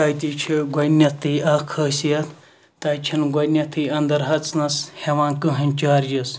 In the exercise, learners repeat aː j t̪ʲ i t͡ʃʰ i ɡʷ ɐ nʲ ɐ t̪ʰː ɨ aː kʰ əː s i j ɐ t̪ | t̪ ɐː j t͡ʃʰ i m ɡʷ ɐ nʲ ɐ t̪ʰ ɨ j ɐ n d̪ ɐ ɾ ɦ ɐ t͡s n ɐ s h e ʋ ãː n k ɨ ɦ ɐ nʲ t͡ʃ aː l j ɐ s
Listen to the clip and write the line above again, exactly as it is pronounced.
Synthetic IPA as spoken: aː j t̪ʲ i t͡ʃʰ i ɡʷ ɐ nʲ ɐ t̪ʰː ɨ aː kʰ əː s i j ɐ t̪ | t̪ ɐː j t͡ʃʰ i n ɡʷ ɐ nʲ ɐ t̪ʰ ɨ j ɐ n d̪ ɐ ɾ ɦ ɐ t͡s n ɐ s h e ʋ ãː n k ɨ ɦ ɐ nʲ t͡ʃ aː ɾ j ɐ s